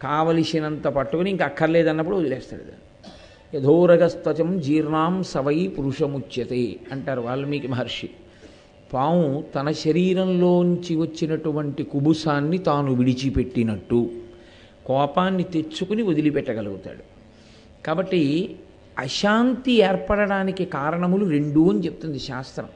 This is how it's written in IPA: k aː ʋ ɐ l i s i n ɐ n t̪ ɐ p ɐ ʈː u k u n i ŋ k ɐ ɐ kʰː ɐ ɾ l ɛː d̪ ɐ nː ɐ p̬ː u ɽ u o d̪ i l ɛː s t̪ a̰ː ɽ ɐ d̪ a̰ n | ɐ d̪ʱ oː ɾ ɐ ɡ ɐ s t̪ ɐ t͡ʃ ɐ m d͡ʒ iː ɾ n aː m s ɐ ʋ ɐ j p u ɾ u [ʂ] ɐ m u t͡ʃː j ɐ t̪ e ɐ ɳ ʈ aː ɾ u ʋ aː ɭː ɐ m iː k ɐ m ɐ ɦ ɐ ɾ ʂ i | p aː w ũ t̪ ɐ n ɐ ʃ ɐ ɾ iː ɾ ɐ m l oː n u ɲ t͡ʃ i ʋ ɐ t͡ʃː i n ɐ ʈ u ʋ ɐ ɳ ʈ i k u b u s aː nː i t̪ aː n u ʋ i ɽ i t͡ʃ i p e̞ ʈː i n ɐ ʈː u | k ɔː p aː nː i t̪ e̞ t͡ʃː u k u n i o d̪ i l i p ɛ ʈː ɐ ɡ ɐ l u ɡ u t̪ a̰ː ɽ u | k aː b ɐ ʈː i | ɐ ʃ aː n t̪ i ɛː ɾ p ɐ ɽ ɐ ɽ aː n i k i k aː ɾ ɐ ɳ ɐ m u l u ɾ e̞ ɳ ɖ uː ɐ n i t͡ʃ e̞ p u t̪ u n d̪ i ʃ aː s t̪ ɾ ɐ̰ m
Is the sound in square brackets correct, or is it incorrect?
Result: correct